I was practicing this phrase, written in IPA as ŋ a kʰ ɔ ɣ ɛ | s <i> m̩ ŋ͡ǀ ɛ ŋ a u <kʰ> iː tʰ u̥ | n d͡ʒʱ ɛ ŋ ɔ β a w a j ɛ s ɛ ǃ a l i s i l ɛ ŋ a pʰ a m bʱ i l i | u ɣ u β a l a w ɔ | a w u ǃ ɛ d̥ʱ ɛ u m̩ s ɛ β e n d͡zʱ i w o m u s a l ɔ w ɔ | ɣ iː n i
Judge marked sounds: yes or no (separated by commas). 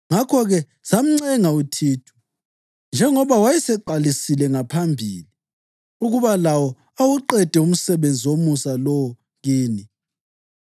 no, no